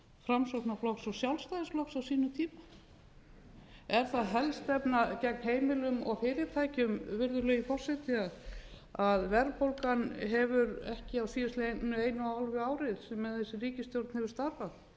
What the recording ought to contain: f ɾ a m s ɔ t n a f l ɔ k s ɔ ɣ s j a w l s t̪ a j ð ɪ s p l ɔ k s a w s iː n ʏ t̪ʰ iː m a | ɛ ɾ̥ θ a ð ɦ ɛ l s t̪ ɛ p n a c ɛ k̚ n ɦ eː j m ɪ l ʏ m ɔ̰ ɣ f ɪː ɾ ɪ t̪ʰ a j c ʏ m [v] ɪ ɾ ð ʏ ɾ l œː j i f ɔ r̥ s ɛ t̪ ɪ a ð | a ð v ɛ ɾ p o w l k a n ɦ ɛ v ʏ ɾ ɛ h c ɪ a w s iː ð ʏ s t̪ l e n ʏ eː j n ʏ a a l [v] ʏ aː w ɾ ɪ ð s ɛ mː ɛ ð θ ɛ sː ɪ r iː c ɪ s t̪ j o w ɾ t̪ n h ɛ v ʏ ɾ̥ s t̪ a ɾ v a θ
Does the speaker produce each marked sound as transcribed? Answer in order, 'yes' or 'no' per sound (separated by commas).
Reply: yes, yes